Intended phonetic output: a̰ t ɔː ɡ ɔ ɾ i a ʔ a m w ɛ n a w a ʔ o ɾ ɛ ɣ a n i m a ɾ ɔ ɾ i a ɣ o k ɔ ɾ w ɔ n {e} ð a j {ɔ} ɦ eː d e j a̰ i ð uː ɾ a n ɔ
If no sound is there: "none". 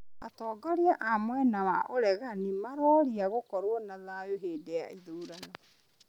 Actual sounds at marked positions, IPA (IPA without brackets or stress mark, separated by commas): a, o